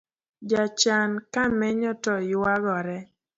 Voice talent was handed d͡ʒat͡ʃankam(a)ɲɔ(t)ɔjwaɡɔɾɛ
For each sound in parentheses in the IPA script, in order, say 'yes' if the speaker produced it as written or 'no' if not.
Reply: no, yes

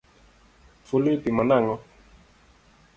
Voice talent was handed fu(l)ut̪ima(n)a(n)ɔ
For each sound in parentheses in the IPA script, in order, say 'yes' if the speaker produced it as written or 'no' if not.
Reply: yes, yes, no

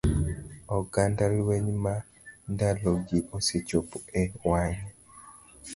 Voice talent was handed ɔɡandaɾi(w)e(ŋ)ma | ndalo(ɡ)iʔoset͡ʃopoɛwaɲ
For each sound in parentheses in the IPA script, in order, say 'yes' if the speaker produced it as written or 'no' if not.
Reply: yes, no, yes

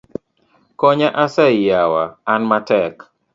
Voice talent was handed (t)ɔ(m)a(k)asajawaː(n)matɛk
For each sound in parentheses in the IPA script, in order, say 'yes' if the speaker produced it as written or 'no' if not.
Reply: no, no, no, yes

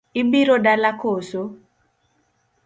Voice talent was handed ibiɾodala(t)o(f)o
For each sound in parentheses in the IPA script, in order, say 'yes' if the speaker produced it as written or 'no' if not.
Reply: no, no

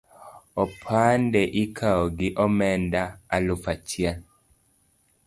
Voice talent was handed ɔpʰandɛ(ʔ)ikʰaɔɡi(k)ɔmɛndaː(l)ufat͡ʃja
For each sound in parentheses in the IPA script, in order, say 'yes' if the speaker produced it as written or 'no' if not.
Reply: yes, no, yes

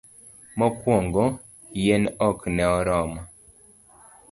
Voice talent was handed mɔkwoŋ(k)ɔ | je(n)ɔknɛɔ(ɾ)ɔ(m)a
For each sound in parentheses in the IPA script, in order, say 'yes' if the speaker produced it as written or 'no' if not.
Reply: no, yes, yes, yes

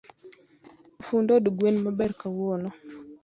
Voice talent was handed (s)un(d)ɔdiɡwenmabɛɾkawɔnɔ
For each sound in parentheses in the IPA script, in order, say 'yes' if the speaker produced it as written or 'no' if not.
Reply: no, yes

